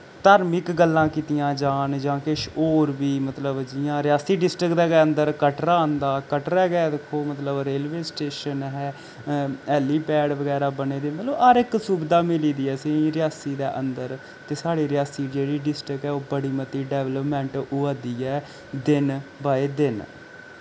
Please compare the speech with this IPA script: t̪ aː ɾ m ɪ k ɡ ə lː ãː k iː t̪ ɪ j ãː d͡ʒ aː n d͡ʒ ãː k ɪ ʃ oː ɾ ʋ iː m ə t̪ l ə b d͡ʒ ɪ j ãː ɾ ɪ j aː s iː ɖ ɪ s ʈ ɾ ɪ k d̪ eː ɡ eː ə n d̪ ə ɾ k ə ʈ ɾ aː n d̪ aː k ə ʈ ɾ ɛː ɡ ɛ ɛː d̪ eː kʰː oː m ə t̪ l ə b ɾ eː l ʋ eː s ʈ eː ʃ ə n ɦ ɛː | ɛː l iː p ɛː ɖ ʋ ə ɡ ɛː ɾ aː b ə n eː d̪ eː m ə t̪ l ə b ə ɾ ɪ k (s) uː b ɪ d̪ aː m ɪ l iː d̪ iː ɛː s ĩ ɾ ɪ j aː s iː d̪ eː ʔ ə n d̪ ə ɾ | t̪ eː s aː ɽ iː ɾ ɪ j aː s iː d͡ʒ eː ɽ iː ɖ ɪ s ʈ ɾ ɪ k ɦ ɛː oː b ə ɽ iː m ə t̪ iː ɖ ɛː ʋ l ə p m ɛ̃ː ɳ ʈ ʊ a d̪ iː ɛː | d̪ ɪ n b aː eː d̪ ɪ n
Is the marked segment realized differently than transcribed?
no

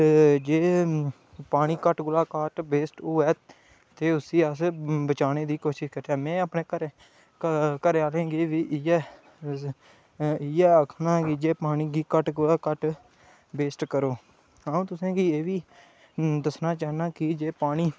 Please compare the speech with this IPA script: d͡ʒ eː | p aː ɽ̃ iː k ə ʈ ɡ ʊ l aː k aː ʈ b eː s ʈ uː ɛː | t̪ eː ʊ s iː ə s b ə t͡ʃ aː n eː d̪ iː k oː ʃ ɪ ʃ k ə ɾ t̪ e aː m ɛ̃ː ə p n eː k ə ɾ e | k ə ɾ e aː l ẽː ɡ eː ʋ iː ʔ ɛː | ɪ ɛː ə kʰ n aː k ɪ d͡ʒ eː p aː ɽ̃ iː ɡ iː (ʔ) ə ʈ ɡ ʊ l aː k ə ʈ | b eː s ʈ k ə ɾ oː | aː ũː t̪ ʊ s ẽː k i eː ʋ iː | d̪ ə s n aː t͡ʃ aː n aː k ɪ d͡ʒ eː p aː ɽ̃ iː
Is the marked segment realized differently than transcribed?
yes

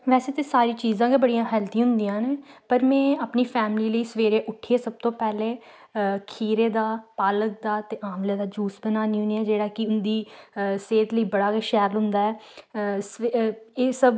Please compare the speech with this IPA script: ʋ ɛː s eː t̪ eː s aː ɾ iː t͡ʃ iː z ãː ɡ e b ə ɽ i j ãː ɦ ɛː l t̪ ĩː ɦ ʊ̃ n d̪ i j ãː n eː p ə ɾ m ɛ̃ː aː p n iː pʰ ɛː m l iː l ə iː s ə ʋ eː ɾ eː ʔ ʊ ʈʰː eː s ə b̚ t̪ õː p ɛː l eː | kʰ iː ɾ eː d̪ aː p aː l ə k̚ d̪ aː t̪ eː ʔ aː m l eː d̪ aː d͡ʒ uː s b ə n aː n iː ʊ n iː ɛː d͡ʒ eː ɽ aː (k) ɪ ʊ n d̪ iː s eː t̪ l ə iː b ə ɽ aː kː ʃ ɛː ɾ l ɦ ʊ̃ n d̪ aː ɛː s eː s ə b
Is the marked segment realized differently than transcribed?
no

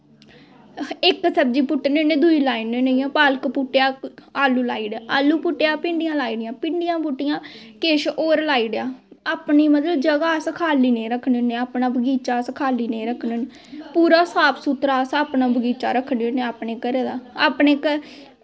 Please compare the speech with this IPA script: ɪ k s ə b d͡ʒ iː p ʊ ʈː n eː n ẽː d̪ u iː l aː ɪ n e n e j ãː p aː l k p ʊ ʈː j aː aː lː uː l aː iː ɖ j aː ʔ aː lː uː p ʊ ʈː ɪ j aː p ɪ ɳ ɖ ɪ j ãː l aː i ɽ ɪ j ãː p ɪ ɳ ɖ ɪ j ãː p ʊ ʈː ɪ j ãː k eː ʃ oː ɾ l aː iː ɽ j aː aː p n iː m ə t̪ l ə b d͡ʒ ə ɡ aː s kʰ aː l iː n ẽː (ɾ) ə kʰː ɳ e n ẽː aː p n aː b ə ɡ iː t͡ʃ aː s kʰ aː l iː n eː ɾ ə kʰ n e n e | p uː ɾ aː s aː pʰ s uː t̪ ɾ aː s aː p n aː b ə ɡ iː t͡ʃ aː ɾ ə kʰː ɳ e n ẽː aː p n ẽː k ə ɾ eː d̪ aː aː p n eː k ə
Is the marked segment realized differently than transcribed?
no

